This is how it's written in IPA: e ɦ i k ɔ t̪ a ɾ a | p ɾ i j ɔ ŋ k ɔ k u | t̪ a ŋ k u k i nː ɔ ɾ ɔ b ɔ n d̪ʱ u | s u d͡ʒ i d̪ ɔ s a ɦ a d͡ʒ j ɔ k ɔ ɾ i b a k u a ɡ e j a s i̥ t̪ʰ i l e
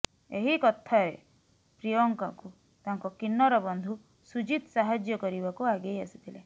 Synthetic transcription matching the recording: e ɦ i k ɔ t̪ʰ a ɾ e | p ɾ i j ɔ ŋ k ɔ k u | t̪ a ŋ k ɔ k i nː ɔ ɾ ɔ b ɔ n d̪ʱ u | s u d͡ʒ i t̪ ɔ s a ɦ a d͡ʒ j ɔ k ɔ ɾ i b a k u a ɡ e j a s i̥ t̪ʰ i l e